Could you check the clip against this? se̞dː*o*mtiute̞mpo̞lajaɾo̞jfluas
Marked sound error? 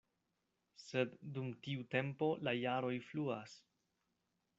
yes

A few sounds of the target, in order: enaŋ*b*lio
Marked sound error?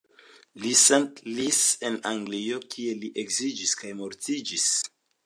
yes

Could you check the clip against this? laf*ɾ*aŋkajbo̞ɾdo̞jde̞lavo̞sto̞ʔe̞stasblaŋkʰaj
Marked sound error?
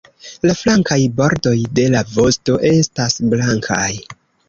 yes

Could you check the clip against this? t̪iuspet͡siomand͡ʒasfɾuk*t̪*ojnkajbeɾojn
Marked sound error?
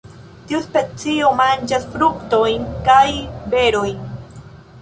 no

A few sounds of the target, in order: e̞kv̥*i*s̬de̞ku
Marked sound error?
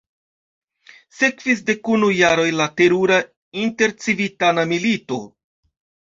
no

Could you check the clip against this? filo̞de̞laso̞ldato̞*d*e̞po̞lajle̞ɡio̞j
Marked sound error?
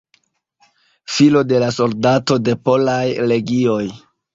no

